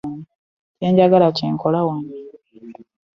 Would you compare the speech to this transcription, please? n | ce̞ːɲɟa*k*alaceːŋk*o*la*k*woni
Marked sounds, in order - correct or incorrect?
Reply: incorrect, correct, incorrect

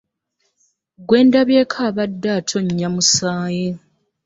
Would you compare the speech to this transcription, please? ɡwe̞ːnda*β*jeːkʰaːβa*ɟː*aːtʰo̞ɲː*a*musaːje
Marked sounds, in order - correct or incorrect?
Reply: correct, incorrect, correct

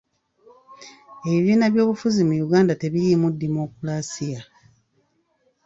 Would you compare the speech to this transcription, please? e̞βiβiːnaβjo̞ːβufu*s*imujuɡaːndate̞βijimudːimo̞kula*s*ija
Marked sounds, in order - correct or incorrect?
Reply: incorrect, correct

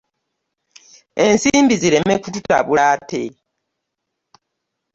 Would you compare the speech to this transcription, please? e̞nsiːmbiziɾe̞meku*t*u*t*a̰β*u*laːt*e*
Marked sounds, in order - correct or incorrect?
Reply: correct, correct, correct, correct

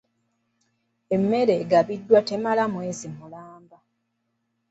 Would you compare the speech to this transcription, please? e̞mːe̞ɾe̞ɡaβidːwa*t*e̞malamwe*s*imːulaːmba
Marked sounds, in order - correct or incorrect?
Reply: correct, incorrect

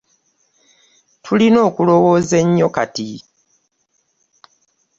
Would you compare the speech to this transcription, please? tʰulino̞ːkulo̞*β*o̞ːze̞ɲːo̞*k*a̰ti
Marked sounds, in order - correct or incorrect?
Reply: incorrect, correct

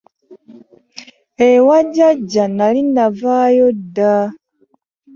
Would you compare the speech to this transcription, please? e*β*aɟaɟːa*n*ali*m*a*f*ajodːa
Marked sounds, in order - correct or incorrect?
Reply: incorrect, correct, incorrect, incorrect

